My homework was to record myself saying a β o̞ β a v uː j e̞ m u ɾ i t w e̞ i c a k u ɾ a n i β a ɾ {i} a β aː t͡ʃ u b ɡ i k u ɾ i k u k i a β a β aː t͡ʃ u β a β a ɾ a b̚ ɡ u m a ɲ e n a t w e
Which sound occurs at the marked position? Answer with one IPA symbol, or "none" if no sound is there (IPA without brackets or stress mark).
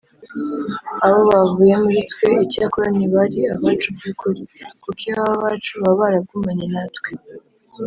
i